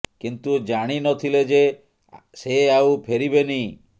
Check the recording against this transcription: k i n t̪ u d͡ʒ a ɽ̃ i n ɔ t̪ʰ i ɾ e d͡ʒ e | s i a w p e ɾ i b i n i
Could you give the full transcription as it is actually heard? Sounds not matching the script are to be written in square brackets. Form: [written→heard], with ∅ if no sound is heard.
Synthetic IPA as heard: k i n t̪ u d͡ʒ a ɽ̃ i n ɔ t̪ʰ i [ɾ→l] e d͡ʒ e | s [i→e] a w [p→pʰ] e ɾ i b [i→e] n i